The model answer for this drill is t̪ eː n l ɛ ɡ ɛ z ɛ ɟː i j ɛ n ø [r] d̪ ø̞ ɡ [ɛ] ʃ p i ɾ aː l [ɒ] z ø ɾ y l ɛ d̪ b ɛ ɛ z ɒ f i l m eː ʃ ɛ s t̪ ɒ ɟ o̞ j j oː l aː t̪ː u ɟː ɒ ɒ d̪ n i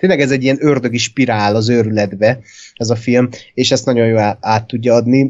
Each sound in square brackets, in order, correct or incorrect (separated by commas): correct, incorrect, correct